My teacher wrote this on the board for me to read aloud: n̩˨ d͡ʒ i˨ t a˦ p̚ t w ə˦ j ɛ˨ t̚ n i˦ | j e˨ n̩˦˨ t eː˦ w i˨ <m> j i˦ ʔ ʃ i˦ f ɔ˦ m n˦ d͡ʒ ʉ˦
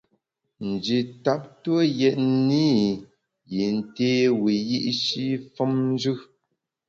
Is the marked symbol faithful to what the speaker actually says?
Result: no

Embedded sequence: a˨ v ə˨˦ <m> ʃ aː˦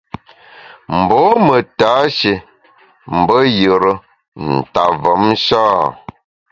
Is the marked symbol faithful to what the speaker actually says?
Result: yes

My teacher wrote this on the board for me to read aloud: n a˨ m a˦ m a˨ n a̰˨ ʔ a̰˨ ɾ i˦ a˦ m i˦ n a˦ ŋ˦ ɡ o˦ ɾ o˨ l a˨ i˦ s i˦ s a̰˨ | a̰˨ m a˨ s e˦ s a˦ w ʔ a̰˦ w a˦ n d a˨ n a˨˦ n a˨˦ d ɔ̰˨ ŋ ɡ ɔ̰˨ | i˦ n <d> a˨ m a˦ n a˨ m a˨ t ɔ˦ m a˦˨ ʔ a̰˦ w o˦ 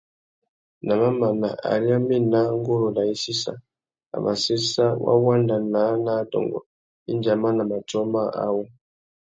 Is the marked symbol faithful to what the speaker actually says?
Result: no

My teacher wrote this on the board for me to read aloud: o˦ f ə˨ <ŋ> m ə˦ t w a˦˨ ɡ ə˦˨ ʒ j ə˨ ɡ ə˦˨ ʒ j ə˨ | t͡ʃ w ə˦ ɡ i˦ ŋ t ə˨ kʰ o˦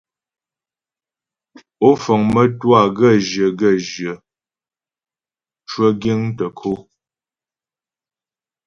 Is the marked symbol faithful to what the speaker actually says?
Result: yes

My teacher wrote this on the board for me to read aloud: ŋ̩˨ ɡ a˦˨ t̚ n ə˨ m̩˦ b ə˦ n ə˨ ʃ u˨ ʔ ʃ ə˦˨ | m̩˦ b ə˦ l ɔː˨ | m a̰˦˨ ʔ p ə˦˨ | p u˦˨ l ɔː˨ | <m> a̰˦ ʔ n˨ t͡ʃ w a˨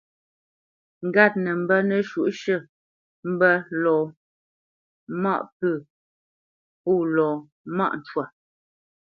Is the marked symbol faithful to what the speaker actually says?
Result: yes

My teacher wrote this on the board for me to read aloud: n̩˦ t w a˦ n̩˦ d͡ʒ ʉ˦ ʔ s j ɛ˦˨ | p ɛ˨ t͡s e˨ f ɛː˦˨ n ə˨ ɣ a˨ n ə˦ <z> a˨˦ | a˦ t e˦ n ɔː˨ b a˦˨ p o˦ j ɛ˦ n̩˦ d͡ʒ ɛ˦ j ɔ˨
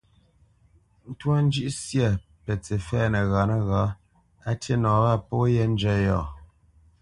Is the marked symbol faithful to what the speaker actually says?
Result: no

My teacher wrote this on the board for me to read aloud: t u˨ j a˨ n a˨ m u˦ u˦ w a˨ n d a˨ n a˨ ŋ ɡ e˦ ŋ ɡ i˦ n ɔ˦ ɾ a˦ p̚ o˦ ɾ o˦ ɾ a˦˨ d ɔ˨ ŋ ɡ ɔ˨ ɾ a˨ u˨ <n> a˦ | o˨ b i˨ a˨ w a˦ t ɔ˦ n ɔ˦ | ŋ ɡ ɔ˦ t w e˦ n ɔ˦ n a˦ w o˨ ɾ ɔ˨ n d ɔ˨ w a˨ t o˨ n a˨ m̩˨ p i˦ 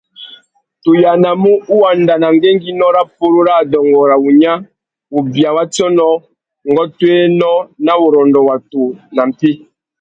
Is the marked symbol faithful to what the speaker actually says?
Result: no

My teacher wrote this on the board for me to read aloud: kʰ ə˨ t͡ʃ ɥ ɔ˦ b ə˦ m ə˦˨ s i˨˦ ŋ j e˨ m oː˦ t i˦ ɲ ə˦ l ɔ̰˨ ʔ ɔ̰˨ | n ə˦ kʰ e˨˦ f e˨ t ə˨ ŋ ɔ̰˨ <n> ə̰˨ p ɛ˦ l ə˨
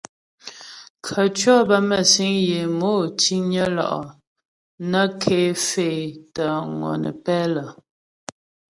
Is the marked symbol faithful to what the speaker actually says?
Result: yes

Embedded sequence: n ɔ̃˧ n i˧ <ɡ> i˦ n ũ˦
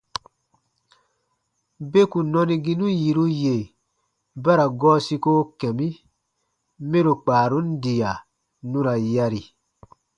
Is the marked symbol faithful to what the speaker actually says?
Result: yes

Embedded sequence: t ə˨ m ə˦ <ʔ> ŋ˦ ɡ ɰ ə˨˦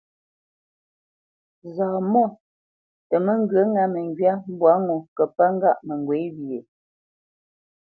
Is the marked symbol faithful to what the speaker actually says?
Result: no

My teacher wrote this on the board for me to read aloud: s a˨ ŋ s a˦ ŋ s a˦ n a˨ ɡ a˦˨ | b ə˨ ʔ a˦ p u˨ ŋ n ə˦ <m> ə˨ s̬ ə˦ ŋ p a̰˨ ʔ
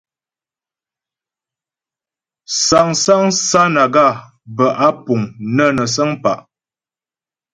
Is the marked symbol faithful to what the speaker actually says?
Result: no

